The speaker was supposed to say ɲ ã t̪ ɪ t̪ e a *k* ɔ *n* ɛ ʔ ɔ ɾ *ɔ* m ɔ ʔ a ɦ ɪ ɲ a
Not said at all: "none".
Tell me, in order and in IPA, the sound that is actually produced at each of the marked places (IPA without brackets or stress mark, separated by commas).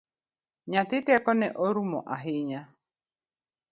k, n, u